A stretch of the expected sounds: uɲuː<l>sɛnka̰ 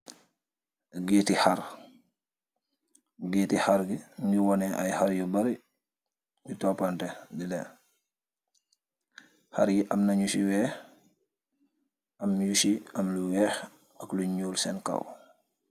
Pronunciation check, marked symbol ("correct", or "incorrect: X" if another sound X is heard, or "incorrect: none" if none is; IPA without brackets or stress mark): correct